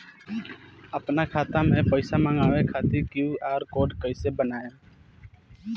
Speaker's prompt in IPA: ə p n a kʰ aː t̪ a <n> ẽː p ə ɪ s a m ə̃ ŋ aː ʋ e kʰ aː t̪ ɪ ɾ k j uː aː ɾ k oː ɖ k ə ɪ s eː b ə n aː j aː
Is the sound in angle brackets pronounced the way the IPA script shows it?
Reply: no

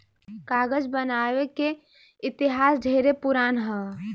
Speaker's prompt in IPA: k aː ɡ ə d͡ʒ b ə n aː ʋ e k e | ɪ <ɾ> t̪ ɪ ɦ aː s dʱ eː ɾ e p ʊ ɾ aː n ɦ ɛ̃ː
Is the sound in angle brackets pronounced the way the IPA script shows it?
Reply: no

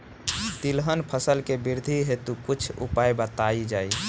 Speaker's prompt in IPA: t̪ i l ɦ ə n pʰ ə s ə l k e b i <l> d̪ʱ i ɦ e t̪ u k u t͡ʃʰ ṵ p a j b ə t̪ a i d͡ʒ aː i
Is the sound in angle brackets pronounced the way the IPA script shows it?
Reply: no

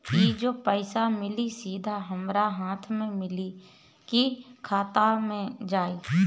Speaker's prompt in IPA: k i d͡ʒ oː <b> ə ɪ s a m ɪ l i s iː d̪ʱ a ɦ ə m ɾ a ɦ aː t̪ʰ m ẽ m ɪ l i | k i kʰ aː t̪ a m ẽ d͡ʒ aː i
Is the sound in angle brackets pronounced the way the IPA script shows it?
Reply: no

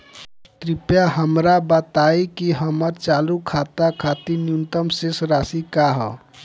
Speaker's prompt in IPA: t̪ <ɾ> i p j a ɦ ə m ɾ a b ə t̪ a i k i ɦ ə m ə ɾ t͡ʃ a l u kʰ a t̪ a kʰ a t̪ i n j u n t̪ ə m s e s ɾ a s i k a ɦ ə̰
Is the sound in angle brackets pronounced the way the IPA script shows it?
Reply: yes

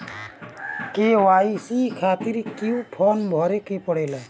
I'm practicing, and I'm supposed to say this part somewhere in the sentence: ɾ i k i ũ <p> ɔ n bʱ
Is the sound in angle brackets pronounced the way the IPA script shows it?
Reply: no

